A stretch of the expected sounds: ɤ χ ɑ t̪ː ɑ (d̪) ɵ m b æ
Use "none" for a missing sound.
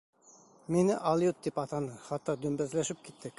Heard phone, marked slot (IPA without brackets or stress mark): d̪